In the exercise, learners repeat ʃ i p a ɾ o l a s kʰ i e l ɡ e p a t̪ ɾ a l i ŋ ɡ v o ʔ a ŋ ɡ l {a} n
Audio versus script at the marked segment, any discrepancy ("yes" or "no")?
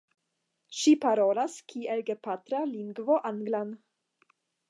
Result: no